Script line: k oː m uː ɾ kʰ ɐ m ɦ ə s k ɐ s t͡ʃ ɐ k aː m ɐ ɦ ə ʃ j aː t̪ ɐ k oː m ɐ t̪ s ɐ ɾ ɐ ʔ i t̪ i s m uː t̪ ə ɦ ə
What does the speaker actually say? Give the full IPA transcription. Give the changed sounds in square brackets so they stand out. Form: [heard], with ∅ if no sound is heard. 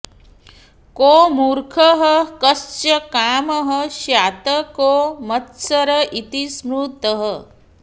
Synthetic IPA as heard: k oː m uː ɾ kʰ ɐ [∅] ɦ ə [∅] k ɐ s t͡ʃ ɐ k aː m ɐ ɦ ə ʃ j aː t̪ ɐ k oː m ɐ t̪ s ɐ ɾ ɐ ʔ i t̪ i s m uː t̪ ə ɦ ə

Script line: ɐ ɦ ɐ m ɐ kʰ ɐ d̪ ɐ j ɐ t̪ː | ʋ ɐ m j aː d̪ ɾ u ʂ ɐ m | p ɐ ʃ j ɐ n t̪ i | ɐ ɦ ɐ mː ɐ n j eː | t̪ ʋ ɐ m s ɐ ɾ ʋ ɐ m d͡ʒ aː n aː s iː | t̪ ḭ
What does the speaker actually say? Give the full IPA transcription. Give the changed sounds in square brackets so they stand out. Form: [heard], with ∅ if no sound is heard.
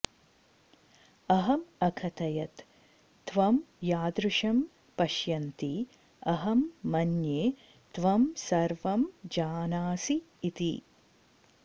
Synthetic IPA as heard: ɐ ɦ ɐ m ɐ kʰ ɐ [t̪] ɐ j ɐ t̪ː | ʋ ɐ m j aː d̪ ɾ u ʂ ɐ m | p ɐ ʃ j ɐ n t̪ i | ɐ ɦ ɐ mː ɐ n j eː | t̪ ʋ ɐ m s ɐ ɾ ʋ ɐ m d͡ʒ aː n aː s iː | t̪ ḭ

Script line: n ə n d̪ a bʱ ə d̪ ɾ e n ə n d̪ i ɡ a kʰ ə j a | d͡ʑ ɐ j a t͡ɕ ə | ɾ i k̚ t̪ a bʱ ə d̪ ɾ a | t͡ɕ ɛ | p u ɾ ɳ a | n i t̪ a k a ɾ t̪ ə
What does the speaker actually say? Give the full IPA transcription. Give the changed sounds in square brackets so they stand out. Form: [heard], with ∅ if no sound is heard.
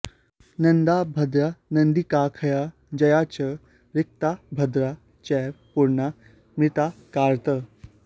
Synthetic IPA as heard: n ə n d̪ a bʱ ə d̪ ɾ [a] n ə n d̪ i [k] a kʰ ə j a | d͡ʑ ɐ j a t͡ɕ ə | ɾ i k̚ t̪ a bʱ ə d̪ ɾ a | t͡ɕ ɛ | p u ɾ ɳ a | [m] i t̪ a k a ɾ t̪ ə

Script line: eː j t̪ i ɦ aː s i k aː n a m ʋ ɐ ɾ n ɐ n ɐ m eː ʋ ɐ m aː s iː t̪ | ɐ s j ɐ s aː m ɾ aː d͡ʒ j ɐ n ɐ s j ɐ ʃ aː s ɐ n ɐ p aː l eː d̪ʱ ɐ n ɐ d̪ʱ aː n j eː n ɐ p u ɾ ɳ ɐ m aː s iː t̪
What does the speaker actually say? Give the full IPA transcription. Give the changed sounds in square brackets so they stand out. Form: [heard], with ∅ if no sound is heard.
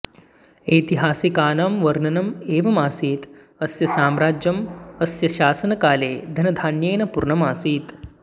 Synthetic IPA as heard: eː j t̪ i ɦ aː s i k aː n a m ʋ ɐ ɾ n ɐ n ɐ m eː ʋ ɐ m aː s iː t̪ | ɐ s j ɐ s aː m ɾ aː d͡ʒ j ɐ [m] ɐ s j ɐ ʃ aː s ɐ n ɐ [k] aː l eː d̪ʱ ɐ n ɐ d̪ʱ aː n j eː n ɐ p u ɾ ɳ ɐ m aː s iː t̪

